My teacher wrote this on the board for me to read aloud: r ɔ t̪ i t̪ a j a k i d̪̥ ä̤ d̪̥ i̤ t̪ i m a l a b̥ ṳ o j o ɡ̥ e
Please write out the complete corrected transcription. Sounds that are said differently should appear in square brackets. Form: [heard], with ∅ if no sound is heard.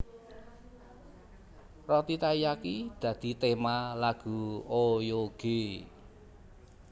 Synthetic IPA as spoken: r ɔ t̪ i t̪ a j a k i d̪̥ ä̤ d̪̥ i̤ t̪ [e] m a l a [ɡ̥] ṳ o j o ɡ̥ e